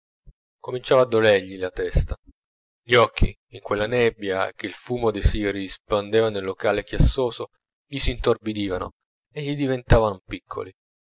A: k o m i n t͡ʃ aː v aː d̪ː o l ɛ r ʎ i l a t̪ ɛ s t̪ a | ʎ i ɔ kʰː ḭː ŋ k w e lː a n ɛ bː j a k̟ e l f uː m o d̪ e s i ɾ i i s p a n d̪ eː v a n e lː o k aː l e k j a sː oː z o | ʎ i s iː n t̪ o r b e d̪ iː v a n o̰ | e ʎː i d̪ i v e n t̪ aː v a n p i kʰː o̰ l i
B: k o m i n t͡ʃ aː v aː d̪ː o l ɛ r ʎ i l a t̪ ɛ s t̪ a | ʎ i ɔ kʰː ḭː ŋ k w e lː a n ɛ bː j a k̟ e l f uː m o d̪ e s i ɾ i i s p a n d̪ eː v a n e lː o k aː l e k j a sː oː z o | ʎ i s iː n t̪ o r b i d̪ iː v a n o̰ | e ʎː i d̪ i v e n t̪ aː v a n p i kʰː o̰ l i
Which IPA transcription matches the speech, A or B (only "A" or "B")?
B